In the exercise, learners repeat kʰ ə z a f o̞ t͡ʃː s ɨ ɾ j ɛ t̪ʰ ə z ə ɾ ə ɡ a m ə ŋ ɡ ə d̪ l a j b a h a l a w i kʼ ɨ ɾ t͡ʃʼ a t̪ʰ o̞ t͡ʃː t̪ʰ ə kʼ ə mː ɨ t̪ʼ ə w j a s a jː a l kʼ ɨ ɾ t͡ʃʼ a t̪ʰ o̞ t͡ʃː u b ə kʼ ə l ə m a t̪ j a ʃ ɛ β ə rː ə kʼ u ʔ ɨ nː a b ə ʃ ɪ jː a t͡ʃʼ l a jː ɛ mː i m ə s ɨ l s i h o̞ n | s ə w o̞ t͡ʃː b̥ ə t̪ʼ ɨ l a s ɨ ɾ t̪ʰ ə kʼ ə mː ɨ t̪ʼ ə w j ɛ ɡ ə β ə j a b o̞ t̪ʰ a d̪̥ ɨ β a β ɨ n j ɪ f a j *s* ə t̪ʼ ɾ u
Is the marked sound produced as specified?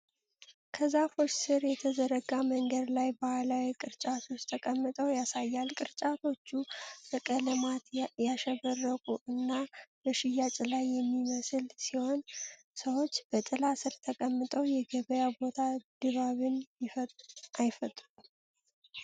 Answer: no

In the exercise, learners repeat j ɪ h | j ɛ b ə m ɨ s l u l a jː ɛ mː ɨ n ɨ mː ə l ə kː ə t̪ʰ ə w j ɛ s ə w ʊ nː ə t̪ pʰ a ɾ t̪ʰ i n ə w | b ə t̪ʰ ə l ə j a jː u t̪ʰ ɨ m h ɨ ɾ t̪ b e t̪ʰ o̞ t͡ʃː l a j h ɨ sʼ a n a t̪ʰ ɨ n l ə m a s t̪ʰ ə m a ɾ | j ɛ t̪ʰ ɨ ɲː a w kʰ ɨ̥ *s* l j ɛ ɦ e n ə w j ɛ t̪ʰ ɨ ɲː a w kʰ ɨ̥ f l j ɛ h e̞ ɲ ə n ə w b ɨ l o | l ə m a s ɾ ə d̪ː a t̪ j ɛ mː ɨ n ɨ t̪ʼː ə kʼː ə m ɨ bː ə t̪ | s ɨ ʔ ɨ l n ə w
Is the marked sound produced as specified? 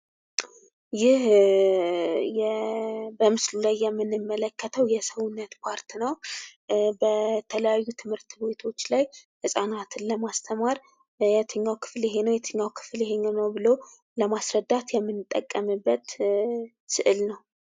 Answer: no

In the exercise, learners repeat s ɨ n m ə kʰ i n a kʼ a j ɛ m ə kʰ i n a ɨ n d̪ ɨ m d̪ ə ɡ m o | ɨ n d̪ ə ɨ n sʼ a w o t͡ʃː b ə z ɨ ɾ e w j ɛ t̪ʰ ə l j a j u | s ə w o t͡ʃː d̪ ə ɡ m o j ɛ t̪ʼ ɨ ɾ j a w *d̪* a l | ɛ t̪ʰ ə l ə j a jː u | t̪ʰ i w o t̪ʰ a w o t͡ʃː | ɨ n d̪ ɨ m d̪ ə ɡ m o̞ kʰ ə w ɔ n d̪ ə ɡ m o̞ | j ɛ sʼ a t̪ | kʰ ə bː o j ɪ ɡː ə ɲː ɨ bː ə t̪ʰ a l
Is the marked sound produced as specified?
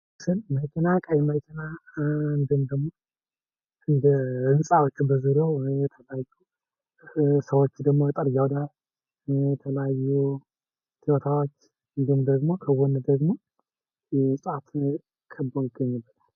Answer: yes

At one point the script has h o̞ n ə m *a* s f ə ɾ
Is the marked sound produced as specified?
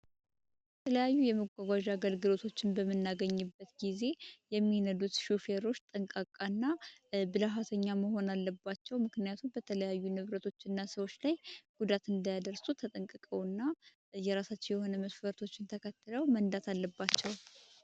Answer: no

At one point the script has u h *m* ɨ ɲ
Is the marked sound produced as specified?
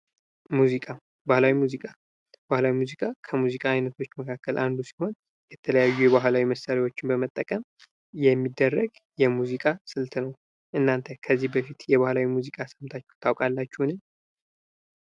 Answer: no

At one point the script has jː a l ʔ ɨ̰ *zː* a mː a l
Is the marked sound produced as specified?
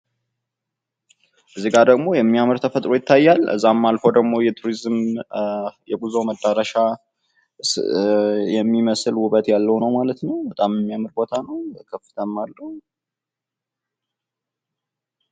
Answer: yes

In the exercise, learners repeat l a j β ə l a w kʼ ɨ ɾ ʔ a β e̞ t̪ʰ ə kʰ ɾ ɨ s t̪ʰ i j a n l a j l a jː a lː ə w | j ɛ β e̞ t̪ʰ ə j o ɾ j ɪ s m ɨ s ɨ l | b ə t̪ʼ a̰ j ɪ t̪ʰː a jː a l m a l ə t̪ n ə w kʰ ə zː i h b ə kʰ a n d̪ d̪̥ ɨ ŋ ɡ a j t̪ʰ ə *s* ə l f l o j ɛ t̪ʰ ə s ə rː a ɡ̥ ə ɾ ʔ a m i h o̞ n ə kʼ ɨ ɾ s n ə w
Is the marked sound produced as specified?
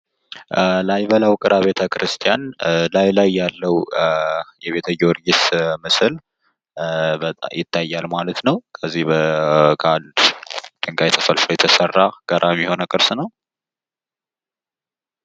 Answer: no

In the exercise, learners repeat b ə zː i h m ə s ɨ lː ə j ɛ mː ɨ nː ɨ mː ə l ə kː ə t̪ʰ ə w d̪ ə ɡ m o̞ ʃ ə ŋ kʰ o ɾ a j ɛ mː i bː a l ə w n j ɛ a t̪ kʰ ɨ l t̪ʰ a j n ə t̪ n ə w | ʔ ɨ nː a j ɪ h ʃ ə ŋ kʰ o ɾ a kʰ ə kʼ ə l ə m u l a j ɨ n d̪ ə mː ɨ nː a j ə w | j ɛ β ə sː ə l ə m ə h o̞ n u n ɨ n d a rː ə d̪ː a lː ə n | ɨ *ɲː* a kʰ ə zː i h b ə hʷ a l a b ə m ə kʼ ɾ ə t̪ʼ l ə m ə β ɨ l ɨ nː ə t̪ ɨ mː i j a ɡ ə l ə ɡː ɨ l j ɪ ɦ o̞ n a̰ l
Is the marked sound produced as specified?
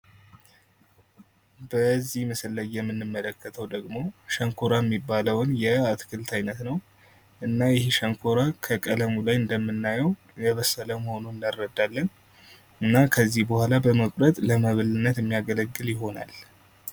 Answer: no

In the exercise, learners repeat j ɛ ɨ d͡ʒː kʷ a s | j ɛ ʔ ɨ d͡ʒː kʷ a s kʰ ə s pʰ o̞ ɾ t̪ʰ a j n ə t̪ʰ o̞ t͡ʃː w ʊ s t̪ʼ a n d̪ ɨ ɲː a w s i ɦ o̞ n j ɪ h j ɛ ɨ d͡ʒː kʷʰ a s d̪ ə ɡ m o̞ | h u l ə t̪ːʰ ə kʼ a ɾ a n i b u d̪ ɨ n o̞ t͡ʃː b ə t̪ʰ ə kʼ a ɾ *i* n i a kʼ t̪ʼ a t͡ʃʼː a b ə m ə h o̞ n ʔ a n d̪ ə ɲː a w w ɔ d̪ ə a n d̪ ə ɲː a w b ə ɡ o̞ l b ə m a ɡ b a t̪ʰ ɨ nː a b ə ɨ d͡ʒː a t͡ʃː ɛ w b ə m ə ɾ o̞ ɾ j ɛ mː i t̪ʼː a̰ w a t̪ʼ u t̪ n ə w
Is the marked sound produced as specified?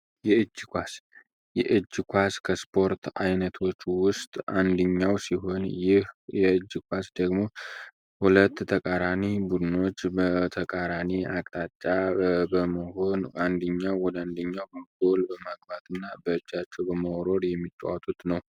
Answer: no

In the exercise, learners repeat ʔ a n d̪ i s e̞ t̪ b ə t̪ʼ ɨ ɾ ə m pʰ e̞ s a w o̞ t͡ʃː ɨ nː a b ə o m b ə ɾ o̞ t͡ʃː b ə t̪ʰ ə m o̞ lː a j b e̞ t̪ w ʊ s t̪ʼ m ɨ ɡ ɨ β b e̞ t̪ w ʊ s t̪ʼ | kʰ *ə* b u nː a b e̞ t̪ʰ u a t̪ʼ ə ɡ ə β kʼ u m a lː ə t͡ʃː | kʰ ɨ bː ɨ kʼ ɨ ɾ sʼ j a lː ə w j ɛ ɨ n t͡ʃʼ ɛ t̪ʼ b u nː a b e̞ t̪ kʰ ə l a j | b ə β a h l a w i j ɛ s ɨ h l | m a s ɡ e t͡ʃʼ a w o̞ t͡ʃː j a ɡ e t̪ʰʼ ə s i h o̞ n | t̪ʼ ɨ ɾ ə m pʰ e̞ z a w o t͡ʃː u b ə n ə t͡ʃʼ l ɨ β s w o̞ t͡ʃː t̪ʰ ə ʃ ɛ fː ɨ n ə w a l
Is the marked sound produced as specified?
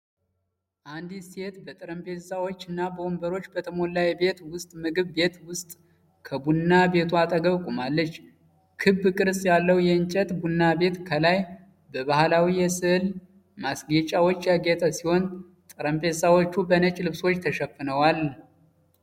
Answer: yes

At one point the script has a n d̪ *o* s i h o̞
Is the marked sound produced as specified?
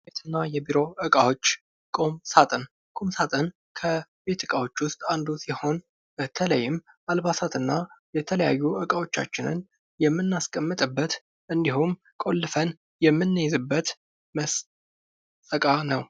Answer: no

